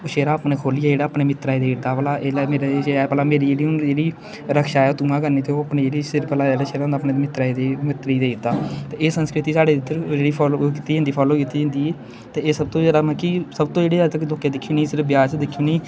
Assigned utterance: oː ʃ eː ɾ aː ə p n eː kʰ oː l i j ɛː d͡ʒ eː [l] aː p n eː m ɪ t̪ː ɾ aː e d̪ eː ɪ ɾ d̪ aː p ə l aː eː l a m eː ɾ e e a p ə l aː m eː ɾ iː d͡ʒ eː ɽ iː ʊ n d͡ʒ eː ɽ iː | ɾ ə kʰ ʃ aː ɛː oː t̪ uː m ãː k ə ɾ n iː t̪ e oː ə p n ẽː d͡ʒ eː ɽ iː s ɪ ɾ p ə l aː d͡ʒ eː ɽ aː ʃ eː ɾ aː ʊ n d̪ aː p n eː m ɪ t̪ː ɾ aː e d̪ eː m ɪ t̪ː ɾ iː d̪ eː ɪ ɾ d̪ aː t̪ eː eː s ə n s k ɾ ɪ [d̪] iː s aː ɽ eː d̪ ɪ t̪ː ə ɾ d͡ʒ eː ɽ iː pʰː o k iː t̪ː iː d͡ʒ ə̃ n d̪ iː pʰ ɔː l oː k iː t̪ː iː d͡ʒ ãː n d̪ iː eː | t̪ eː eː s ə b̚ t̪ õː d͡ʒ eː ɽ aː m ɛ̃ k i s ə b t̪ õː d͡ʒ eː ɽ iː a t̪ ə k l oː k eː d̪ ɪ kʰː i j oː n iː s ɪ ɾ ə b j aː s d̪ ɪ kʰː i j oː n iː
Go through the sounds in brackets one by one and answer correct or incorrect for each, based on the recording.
incorrect, incorrect

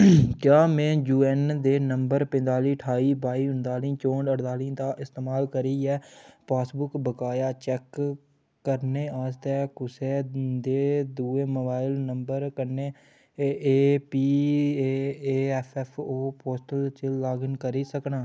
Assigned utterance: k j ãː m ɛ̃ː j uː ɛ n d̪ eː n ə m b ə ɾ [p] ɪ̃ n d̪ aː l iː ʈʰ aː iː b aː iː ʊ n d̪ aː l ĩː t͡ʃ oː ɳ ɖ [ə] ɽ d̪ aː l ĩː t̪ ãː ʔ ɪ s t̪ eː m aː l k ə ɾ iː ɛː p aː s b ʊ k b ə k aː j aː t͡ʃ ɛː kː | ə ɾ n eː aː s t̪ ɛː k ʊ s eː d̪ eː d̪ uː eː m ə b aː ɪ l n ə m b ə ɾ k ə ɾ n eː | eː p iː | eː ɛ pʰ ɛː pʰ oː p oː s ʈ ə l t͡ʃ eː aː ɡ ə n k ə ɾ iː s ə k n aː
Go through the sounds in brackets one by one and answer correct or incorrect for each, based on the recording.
correct, correct

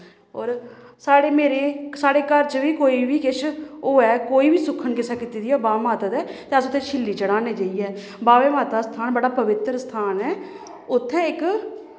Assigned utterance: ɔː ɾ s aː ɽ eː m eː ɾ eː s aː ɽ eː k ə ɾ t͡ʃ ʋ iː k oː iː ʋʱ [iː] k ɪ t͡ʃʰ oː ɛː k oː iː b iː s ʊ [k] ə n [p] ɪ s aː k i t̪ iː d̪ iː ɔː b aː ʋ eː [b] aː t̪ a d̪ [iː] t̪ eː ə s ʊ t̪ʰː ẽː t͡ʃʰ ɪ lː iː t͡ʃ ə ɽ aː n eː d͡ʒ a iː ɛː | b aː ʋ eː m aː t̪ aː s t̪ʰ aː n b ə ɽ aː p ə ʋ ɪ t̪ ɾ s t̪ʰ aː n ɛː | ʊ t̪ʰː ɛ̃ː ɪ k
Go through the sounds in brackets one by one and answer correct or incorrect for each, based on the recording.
correct, incorrect, incorrect, incorrect, incorrect

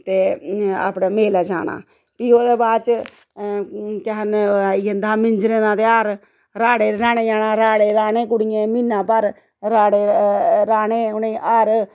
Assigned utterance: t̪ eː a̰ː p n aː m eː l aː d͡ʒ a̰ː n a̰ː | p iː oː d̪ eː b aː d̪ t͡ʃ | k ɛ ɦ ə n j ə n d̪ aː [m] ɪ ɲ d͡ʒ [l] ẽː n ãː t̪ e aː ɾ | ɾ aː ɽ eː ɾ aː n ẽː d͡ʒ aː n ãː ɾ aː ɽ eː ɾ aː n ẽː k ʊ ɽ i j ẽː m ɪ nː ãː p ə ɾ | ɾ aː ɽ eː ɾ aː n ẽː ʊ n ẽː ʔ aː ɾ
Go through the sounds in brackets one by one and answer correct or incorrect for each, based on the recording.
correct, incorrect

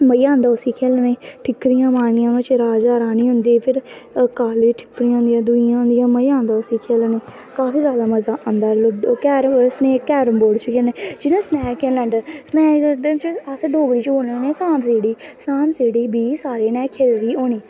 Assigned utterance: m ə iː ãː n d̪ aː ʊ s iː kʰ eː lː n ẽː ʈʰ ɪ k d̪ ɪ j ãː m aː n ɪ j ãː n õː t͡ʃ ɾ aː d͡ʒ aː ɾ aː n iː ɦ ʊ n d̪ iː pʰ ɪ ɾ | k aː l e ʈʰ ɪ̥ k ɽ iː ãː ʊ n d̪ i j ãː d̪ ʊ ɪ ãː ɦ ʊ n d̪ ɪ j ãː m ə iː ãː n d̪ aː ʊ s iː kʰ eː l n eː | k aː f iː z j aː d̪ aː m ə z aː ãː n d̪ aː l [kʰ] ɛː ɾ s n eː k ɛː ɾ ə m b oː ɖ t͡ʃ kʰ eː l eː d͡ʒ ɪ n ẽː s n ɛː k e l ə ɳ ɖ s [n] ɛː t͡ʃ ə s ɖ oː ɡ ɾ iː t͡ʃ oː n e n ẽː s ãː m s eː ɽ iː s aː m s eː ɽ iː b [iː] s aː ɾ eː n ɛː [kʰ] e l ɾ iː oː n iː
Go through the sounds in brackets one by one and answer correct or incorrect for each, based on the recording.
incorrect, correct, correct, correct

